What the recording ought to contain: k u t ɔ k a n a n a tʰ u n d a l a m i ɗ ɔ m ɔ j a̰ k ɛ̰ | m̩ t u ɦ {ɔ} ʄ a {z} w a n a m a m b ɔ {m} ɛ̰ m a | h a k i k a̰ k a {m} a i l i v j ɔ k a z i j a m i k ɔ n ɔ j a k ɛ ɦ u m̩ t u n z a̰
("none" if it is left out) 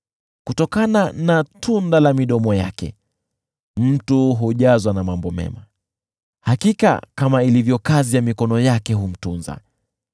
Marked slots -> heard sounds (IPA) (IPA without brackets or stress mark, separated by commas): u, z, m, m